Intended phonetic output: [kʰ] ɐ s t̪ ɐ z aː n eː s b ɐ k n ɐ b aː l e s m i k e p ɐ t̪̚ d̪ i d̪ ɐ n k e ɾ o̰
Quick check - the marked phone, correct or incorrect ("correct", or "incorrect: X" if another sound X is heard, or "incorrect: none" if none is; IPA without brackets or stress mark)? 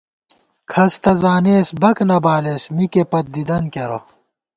correct